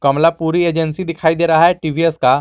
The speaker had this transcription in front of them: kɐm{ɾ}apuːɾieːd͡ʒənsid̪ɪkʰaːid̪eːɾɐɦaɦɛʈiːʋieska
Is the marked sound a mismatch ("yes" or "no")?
yes